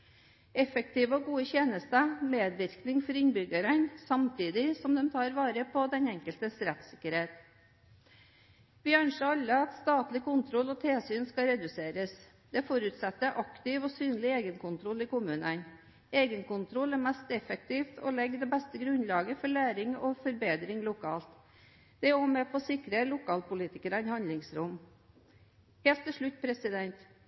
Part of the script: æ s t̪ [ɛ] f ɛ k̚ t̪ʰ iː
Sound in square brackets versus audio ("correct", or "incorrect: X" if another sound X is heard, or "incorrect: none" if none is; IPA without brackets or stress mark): correct